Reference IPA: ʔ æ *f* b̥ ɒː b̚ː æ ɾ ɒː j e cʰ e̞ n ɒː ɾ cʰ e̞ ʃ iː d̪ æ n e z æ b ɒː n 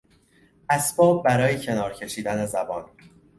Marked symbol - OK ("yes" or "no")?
no